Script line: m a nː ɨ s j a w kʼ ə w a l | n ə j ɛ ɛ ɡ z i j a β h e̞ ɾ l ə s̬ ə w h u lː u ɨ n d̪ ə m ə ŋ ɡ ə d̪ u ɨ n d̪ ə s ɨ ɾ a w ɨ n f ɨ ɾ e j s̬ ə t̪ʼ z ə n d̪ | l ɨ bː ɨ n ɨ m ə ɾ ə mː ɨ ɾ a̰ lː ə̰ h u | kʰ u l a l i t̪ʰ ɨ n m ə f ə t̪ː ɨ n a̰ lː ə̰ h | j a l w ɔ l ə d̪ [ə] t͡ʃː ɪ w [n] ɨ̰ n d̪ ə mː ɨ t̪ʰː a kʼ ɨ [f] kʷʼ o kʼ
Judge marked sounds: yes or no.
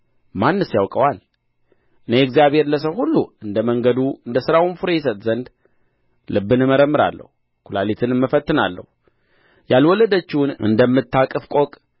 yes, yes, yes

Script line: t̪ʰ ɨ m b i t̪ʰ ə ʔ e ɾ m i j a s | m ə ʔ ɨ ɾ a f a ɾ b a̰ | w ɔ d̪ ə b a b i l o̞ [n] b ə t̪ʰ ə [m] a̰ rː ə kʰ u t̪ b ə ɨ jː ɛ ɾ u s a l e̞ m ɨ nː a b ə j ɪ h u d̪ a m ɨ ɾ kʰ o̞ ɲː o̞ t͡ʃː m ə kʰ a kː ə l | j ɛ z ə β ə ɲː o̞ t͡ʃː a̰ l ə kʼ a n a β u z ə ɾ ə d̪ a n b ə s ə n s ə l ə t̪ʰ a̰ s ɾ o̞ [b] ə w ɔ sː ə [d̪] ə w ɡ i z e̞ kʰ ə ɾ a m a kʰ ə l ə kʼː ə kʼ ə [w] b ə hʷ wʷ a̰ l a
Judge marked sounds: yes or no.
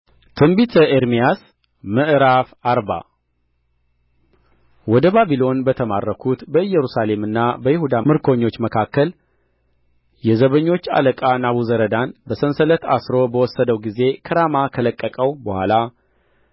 yes, yes, yes, yes, yes

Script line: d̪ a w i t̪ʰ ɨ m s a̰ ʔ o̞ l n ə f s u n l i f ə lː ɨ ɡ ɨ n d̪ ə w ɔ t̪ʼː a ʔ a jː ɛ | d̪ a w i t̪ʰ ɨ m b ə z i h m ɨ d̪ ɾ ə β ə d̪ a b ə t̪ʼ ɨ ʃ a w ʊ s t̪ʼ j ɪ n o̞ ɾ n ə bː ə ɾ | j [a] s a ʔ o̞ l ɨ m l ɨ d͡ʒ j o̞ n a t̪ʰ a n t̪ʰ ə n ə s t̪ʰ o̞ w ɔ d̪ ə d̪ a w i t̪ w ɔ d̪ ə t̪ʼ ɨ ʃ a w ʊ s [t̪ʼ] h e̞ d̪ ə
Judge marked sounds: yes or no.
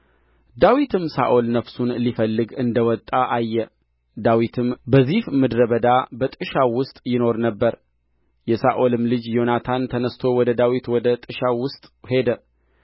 no, yes

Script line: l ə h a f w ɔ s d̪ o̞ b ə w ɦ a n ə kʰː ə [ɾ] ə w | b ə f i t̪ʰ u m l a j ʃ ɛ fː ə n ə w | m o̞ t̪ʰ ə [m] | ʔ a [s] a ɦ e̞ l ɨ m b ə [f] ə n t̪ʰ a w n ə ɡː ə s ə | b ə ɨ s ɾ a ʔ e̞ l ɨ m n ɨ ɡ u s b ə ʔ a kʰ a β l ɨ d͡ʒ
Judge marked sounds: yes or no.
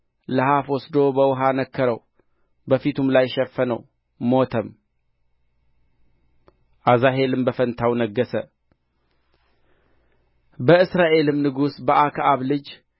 yes, yes, no, yes

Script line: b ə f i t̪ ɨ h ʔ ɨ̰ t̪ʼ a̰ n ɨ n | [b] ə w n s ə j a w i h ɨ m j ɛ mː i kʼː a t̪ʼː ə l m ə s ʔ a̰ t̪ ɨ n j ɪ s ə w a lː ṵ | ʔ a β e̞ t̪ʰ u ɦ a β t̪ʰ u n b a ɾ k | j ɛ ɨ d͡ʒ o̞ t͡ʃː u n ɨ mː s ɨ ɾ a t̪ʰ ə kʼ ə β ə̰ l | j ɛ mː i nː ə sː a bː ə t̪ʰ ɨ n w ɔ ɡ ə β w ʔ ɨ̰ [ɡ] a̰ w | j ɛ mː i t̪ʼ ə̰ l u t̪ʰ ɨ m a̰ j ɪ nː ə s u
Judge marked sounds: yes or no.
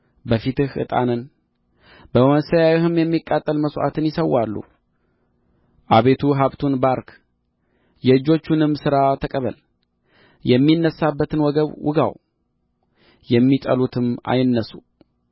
yes, yes

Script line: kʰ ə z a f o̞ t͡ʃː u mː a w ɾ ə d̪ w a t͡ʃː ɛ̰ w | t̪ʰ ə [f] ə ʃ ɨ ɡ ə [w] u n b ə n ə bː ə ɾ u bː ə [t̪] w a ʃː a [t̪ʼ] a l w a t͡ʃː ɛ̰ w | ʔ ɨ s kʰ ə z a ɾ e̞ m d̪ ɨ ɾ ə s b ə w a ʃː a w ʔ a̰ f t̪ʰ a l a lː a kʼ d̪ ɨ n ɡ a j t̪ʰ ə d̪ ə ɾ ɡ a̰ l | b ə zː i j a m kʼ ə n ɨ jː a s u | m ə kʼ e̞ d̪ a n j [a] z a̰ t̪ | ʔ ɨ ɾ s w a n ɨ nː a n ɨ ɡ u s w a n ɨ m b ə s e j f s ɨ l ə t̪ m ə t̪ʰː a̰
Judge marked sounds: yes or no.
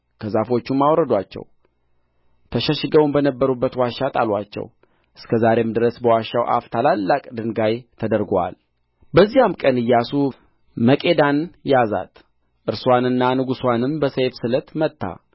no, yes, yes, yes, yes

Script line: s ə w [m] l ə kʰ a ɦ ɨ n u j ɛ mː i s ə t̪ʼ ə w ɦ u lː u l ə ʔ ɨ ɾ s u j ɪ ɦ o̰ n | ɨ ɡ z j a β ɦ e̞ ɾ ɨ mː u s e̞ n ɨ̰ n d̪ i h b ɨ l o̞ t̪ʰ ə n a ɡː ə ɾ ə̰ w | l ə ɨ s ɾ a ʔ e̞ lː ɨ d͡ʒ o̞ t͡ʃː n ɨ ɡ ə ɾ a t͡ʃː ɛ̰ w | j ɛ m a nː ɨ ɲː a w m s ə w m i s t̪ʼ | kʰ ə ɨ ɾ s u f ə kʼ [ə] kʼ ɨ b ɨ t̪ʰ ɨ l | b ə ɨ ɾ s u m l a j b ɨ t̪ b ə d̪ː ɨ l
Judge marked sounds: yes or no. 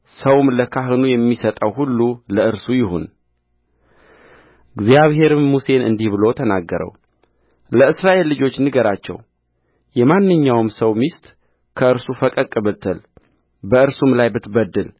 yes, yes

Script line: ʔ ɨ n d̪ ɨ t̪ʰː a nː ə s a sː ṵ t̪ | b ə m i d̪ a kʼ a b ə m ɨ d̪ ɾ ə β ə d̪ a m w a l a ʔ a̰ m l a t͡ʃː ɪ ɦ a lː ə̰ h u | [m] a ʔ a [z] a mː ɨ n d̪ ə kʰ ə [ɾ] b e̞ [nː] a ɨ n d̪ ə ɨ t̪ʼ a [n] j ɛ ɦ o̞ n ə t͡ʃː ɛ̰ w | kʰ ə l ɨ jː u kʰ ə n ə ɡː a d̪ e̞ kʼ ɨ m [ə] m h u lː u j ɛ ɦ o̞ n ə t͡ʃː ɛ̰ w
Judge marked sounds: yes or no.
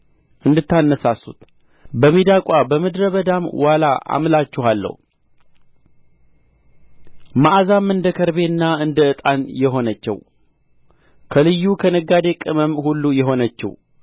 yes, yes, yes, yes, yes, yes

